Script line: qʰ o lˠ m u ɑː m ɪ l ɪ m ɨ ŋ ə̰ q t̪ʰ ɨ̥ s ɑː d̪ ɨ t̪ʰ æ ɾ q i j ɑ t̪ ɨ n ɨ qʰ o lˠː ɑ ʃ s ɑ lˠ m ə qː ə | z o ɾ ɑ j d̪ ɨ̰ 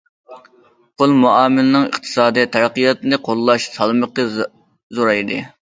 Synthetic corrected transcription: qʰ o lˠ m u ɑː m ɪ l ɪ n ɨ ŋ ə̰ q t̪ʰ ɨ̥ s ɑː d̪ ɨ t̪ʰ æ ɾ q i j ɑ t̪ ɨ n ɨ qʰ o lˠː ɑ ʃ s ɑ lˠ m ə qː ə | z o ɾ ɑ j d̪ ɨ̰